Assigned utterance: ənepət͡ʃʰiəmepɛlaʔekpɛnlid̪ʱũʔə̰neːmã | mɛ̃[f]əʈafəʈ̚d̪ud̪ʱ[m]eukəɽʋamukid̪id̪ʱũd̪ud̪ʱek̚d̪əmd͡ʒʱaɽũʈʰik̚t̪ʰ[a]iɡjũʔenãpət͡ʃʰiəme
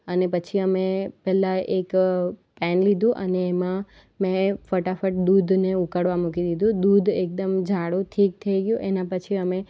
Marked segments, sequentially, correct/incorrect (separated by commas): correct, incorrect, incorrect